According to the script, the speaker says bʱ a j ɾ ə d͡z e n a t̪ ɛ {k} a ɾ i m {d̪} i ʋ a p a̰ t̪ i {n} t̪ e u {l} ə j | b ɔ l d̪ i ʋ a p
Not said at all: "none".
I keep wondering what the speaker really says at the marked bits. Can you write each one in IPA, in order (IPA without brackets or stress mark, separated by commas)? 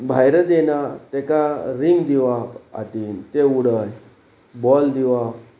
k, d̪, n, ɽ